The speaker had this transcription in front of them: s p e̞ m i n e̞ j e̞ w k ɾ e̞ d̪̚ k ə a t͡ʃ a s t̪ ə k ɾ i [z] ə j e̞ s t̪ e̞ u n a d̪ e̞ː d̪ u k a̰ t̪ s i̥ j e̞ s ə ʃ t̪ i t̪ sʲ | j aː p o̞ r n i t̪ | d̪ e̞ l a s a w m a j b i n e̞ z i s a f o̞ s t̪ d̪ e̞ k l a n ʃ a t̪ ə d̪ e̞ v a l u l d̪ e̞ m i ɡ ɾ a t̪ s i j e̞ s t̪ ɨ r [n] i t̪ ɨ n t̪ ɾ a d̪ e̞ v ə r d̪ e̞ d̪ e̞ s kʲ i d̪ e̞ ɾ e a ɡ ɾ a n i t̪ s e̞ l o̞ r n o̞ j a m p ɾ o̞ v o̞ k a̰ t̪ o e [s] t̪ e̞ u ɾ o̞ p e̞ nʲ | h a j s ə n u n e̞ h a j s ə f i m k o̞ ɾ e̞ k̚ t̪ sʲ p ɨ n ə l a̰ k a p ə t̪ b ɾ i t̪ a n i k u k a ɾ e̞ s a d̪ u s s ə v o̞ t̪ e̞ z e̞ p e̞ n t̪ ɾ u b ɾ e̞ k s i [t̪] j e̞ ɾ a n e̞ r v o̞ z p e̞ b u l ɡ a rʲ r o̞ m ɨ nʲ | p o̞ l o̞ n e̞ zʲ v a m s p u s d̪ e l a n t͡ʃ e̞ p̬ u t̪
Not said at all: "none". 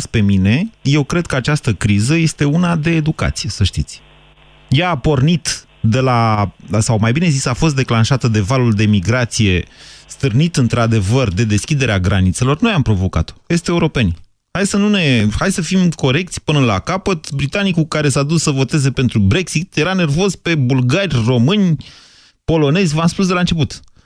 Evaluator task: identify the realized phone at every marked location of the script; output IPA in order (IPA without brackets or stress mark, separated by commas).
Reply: z, n, s, t̪